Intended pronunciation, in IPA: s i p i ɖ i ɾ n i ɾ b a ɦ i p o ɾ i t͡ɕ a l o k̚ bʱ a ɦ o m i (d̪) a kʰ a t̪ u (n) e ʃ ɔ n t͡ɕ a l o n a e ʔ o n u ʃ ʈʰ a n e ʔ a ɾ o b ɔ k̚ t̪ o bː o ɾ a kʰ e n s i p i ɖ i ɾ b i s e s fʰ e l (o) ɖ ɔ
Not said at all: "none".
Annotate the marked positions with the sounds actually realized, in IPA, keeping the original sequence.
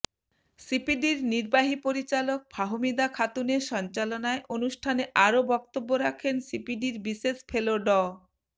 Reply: d̪, n, o

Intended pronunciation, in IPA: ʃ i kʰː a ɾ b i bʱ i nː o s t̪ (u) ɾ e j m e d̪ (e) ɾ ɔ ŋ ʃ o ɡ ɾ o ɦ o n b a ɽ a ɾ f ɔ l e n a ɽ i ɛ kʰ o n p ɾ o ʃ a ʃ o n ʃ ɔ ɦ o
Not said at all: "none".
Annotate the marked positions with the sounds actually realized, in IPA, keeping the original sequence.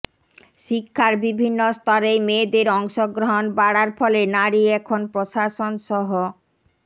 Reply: ɔ, e

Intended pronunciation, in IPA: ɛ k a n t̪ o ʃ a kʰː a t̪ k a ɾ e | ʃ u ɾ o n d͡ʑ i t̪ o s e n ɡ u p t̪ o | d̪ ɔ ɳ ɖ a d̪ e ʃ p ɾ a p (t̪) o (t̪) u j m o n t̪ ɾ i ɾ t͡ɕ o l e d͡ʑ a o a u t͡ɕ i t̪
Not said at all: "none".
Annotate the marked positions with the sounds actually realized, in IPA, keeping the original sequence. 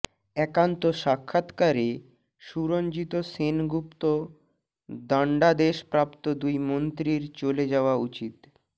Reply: t̪, d̪

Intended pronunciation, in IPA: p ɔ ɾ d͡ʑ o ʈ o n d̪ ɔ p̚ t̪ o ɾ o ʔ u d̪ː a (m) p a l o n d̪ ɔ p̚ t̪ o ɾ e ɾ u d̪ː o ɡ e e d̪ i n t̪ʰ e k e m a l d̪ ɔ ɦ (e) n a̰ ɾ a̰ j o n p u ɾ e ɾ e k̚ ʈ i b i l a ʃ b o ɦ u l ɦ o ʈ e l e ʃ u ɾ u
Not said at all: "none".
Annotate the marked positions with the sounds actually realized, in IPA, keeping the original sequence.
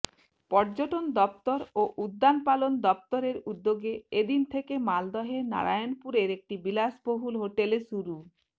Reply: n, e

